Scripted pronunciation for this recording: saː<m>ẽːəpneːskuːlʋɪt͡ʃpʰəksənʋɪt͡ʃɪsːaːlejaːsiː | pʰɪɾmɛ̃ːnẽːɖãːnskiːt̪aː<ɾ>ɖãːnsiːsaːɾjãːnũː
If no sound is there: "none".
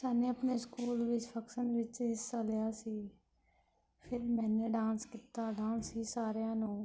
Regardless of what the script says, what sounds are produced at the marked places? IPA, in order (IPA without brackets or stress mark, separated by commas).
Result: n, none